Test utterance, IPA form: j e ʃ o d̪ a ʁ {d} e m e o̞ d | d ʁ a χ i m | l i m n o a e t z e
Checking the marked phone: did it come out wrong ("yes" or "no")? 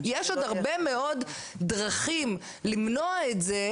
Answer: yes